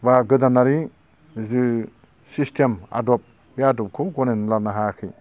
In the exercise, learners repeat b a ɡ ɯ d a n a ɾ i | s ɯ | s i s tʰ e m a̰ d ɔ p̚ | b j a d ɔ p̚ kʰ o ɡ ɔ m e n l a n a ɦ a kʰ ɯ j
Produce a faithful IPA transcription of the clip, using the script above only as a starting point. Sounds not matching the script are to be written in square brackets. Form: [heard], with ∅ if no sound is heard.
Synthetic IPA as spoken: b a ɡ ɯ d a n a ɾ i | [z] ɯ | s i s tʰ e m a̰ d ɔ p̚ | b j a d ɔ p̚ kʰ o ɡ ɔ [n] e n l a n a ɦ a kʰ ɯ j